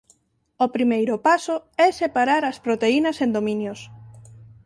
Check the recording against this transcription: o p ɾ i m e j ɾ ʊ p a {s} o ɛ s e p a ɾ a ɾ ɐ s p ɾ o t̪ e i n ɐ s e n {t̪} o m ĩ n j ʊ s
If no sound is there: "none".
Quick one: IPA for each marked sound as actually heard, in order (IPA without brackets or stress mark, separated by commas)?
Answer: s, d̪